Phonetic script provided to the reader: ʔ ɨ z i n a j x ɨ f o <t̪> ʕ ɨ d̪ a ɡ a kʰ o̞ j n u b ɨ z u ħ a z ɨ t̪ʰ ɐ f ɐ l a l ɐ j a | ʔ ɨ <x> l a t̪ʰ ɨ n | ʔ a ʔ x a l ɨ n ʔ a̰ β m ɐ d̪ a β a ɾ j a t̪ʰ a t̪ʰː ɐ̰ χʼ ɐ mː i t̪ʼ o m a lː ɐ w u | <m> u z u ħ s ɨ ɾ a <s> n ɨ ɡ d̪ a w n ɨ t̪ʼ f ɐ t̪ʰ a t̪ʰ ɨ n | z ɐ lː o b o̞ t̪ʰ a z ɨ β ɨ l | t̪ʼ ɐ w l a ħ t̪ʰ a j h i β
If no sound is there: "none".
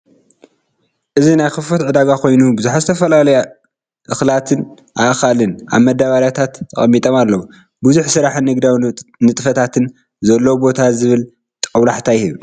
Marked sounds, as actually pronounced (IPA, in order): t̪, x, b, ħ

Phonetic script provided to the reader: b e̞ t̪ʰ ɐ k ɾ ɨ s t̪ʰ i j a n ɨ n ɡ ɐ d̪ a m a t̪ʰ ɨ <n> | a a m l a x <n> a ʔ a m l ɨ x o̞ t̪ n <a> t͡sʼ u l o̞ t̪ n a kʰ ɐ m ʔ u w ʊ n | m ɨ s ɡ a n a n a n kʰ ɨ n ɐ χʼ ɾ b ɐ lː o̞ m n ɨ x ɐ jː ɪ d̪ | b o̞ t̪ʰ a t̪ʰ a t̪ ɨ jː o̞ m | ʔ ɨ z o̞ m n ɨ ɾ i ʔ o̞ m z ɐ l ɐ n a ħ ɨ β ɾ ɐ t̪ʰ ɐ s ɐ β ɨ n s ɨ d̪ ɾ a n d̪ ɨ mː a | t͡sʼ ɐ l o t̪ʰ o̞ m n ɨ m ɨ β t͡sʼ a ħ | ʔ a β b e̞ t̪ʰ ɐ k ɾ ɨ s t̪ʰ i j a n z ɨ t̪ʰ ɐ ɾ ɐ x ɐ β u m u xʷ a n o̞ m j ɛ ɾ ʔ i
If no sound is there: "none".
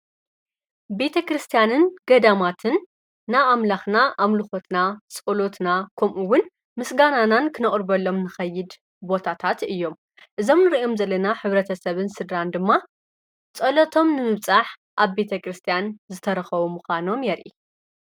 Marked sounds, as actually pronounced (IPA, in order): nː, n, a

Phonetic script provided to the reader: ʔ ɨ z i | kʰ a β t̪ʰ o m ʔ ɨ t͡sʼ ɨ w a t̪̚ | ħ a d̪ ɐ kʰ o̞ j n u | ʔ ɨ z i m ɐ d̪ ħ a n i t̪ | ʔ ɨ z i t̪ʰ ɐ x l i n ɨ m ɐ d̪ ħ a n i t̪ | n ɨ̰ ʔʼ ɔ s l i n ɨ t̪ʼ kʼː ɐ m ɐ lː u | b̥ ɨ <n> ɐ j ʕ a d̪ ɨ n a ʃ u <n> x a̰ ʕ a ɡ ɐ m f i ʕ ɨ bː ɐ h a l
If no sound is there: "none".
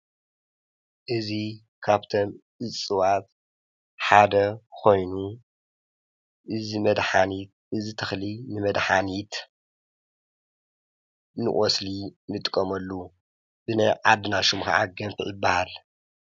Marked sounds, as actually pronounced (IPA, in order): n, m

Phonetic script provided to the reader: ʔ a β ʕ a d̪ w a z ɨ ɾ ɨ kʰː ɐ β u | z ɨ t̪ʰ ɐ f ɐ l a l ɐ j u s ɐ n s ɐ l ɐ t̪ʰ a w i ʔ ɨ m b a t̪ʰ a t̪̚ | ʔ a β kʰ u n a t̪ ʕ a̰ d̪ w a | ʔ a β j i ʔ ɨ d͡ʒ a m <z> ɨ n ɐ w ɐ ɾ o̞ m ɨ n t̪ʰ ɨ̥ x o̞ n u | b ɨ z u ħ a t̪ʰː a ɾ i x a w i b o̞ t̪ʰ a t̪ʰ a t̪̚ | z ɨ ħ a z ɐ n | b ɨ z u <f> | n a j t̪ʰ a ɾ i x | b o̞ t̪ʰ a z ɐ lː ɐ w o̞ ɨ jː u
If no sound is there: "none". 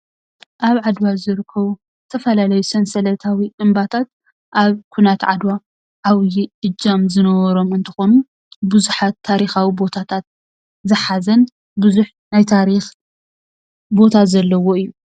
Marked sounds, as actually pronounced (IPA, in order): z, ħ

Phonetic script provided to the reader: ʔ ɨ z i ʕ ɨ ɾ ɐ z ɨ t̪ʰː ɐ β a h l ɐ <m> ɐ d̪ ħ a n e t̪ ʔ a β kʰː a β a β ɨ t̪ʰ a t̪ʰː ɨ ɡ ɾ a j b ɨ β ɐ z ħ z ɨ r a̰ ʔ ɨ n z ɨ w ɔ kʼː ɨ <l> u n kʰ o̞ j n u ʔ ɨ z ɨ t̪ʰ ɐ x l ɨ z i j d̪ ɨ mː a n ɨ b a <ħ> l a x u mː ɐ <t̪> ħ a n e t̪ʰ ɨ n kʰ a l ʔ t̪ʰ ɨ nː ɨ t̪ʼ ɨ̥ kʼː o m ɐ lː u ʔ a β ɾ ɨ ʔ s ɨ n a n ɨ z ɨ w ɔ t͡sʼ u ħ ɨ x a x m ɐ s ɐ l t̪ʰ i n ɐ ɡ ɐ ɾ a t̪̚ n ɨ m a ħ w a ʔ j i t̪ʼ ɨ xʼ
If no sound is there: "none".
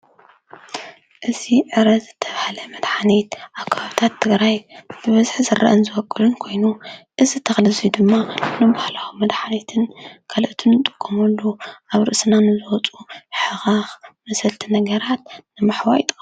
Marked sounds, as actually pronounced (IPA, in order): m, l, h, d̪

